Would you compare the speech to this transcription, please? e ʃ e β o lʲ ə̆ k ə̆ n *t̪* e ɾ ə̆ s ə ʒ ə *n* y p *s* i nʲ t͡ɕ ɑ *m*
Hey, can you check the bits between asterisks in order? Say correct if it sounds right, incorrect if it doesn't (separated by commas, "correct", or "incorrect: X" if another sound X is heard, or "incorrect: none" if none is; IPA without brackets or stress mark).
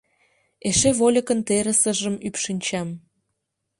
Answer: correct, incorrect: m, incorrect: ʃ, correct